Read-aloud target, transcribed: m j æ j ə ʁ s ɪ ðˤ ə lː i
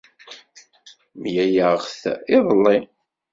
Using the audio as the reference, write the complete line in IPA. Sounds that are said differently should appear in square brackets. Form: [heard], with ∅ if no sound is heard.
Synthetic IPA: m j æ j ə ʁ [θ] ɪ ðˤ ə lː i